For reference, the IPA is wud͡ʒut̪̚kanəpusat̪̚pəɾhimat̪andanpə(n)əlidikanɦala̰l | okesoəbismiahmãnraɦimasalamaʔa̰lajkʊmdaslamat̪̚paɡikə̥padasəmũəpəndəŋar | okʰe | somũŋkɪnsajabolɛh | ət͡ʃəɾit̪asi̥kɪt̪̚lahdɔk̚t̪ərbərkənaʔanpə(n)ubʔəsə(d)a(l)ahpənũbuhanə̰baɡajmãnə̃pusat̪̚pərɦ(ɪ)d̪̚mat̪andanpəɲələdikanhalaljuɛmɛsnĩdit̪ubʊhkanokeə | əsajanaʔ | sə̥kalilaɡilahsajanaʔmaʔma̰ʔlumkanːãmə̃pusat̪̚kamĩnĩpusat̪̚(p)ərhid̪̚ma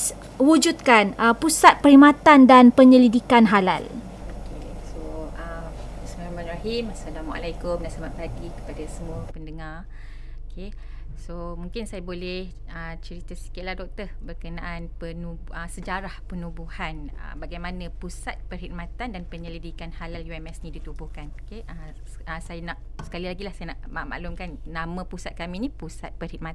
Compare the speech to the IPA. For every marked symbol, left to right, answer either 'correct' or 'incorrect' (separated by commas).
incorrect, correct, incorrect, incorrect, incorrect, correct